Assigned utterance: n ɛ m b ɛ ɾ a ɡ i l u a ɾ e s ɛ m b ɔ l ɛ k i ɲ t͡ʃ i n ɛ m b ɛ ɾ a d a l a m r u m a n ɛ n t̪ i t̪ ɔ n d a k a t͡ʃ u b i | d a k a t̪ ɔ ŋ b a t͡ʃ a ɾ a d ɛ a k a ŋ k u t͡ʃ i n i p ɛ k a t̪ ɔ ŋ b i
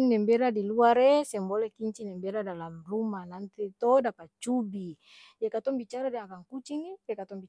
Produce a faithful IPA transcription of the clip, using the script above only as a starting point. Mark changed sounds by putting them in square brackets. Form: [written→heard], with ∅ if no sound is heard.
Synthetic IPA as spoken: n ɛ m b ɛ ɾ a [ɡ→d] i l u a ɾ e s ɛ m b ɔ l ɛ k i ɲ t͡ʃ i n ɛ m b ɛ ɾ a d a l a m r u m a n [ɛ→a] n t̪ i t̪ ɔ [n→∅] d a [k→p] a t͡ʃ u b i | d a k a t̪ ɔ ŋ b [a→i] t͡ʃ a ɾ a d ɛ a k a ŋ k u t͡ʃ i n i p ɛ k a t̪ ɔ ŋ b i